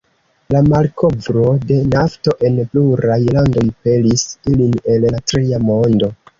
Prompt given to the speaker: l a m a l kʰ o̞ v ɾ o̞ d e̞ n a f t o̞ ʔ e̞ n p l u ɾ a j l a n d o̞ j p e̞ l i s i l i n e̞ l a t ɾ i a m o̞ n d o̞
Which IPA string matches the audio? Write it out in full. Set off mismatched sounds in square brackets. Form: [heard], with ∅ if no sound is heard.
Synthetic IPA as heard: l a m a l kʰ o̞ v ɾ o̞ d e̞ n a f t o̞ ʔ e̞ n p l u ɾ a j l a n d o̞ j p e̞ l i s i l i n e̞ l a t ɾ i a m o̞ n d o̞